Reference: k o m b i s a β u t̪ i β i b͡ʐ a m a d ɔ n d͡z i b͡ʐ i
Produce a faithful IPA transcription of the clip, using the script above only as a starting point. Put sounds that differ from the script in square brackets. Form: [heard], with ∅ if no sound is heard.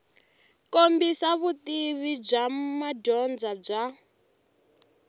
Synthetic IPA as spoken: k o m b i s a β u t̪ i β i b͡ʐ a m a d ɔ n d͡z [a] b͡ʐ [a]